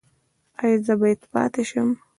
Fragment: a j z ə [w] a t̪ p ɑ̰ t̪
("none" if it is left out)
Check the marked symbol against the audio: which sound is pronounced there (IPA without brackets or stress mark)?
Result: b